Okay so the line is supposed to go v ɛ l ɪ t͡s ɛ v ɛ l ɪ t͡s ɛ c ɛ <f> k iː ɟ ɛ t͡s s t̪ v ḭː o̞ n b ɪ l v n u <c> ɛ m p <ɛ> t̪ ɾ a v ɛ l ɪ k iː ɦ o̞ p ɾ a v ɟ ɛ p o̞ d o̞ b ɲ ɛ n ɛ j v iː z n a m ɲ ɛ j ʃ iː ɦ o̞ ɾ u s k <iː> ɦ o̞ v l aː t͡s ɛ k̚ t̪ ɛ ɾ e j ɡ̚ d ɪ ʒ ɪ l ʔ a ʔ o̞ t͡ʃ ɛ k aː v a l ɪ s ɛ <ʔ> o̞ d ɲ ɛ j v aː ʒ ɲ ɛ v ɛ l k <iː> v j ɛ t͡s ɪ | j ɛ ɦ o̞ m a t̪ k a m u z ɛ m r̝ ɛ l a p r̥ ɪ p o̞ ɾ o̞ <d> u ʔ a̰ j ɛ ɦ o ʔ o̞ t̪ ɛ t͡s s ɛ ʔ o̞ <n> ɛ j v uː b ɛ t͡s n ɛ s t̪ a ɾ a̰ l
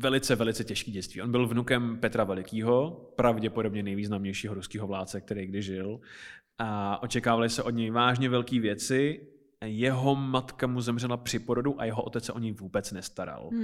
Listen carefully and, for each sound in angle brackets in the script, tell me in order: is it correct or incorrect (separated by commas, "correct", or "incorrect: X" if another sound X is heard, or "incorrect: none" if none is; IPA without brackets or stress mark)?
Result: incorrect: ʃ, incorrect: k, correct, correct, correct, correct, correct, incorrect: ɲ